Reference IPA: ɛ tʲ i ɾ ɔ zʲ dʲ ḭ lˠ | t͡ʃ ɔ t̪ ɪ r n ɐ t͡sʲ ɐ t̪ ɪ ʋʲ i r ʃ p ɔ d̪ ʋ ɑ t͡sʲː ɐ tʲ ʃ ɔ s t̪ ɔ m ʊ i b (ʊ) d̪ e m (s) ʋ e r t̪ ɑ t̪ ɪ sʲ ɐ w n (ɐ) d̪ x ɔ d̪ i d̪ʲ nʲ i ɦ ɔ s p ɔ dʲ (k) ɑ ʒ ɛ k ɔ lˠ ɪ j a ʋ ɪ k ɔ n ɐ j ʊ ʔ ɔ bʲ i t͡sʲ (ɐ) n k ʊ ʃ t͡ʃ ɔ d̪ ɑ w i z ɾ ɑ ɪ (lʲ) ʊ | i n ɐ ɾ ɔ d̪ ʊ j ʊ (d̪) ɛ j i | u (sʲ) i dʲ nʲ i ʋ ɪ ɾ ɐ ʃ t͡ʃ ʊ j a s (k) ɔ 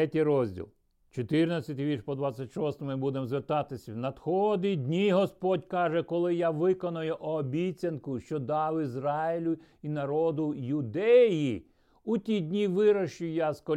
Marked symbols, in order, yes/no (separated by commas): no, no, yes, yes, yes, yes, yes, no, yes